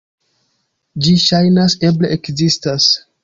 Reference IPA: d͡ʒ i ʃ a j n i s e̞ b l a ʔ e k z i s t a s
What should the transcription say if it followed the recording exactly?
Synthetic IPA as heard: d͡ʒ i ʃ a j n a s e̞ b l e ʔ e k z i s t a s